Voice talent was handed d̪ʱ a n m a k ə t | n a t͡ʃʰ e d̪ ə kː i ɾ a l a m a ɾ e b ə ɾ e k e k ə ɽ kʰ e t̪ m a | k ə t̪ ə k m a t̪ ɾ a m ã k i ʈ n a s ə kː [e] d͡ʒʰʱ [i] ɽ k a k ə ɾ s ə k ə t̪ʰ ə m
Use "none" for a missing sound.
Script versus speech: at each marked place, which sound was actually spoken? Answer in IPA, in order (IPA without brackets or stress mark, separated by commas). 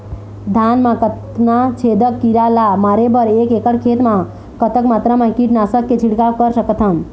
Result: e, i